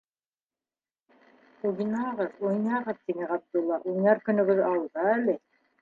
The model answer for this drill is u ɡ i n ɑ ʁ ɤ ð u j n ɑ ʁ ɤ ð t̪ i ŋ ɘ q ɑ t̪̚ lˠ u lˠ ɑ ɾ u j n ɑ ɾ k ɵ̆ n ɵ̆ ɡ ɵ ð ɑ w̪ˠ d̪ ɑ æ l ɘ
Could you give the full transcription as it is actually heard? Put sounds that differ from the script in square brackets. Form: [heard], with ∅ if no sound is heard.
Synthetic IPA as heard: u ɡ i n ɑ ʁ ɤ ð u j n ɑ ʁ ɤ ð t̪ i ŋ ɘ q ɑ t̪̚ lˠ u lˠ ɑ ɾ u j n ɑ ɾ k ɵ̆ n ɵ̆ ɡ ɵ ð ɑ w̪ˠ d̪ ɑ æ l ɘ